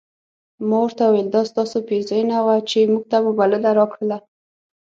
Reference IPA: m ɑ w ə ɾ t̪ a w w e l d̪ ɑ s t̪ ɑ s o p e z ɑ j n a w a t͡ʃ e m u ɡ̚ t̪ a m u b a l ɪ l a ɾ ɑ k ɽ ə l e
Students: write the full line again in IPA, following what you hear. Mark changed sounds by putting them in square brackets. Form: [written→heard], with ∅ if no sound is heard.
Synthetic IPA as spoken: m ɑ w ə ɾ t̪ a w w e l d̪ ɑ s t̪ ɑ s o p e z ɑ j n a w a t͡ʃ e m u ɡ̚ t̪ a m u b a l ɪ l a ɾ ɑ k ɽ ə l [e→a]